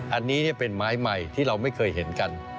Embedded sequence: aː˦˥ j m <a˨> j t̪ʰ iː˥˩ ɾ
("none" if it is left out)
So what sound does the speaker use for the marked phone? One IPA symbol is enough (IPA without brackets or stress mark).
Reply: a˨